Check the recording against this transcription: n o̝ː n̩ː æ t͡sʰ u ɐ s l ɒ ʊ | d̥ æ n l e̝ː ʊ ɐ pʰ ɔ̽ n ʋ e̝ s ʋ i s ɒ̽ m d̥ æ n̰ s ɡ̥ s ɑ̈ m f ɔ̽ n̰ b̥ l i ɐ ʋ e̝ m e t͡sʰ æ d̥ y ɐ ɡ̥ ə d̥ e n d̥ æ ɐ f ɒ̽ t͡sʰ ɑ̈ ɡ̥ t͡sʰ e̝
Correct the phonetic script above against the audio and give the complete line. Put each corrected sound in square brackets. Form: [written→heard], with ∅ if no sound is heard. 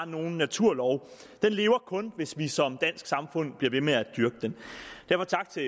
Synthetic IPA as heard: n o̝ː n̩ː æ t͡sʰ u ɐ [s→∅] l ɒ ʊ | d̥ [æ→e] n l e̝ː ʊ ɐ [pʰ→kʰ] ɔ̽ n ʋ e̝ s ʋ i s ɒ̽ m d̥ æ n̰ s ɡ̥ s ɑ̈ m f ɔ̽ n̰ b̥ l i ɐ ʋ e̝ m e [t͡sʰ→∅] æ d̥ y ɐ ɡ̥ ə d̥ e n d̥ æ ɐ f ɒ̽ t͡sʰ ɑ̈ ɡ̥ t͡sʰ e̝